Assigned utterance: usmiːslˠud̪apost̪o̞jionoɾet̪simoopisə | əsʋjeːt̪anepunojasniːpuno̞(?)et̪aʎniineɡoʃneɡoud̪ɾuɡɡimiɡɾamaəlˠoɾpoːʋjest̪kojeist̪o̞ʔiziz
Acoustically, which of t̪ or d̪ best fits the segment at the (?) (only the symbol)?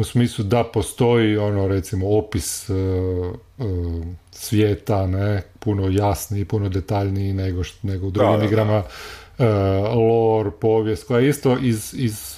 d̪